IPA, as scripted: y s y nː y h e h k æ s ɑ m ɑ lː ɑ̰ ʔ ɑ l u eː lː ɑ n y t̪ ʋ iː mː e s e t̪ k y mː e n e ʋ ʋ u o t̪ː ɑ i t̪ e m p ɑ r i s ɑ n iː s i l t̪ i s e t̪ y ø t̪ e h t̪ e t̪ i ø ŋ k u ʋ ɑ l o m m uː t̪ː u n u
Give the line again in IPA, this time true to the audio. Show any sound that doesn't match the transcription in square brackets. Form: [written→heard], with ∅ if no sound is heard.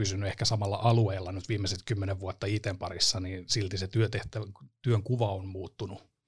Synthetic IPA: y s y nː y [h→∅] e h k æ s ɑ m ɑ lː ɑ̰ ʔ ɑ l u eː lː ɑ n y t̪ ʋ iː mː e s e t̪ k y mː e n e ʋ ʋ u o t̪ː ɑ i t̪ e m p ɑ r i [s→sː] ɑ n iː s i l t̪ i s e t̪ y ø t̪ e h t̪ [e→æ] t̪ [i→y] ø ŋ k u ʋ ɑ [l→∅] o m m uː t̪ː u n u